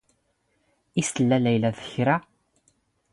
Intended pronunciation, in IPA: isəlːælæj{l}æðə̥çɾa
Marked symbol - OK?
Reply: yes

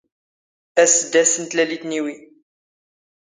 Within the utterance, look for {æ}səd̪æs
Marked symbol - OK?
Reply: yes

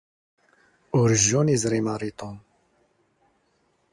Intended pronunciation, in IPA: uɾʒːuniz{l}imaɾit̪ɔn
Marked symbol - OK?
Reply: no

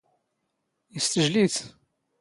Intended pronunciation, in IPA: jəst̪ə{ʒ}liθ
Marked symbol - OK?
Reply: yes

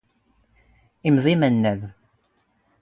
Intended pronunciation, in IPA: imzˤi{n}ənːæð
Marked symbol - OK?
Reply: no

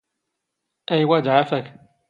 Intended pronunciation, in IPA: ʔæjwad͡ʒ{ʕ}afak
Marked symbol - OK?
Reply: yes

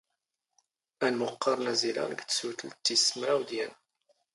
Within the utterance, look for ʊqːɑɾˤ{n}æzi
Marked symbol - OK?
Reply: yes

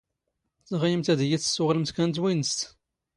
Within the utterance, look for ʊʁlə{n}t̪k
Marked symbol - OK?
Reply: no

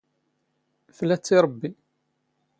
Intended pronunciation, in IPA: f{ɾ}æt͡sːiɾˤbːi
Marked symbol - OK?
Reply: no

